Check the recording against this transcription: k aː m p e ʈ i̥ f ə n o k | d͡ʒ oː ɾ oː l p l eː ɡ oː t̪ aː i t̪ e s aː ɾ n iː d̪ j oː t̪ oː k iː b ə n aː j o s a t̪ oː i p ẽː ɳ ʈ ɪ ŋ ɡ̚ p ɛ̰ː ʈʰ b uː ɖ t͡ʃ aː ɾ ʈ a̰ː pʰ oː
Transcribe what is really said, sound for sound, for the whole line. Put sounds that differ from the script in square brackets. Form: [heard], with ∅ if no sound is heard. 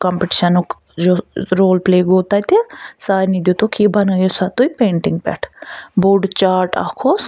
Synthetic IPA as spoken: k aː m p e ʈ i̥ [ʃ] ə n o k | d͡ʒ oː ɾ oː l p l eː ɡ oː t̪ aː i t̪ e s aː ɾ n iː d̪ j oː t̪ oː k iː b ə n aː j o s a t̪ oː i p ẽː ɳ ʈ ɪ ŋ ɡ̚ p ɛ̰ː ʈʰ b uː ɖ t͡ʃ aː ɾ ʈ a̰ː [kʰ] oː